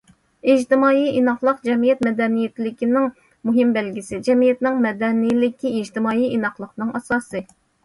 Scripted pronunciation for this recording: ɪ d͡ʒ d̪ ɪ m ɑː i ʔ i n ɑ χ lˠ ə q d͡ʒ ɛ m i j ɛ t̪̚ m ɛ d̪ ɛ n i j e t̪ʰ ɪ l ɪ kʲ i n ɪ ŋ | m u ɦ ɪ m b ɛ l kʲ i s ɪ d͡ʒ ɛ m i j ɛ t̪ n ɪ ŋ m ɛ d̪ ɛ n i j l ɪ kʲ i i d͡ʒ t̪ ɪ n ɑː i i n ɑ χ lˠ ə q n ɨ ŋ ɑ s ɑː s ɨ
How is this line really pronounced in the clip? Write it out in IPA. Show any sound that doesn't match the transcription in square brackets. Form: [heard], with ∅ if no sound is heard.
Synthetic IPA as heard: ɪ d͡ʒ [t̪] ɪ m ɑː i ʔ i n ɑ χ lˠ ə q d͡ʒ ɛ m i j ɛ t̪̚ m ɛ d̪ ɛ n i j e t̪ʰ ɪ l ɪ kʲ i n ɪ ŋ | m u ɦ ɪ m b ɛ l [ɡʲ] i s ɪ d͡ʒ ɛ m i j ɛ t̪ n ɪ ŋ m ɛ d̪ ɛ n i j l ɪ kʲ i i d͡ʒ t̪ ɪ [m] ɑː i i n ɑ χ lˠ ə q n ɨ ŋ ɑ s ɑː s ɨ